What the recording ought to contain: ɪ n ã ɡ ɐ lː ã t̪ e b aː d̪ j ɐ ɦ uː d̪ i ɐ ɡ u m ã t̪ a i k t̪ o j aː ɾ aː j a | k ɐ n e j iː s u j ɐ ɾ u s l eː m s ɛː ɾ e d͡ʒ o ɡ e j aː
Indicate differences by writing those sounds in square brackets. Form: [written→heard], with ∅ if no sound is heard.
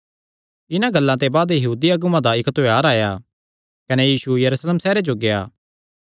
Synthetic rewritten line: ɪ n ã ɡ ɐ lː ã t̪ e b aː d̪ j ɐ ɦ uː d̪ i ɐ ɡ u m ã [t̪→d̪] a [i→ɪ] k t̪ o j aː ɾ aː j a | k ɐ n e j iː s u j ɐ ɾ u s l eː m s ɛː ɾ e d͡ʒ o ɡ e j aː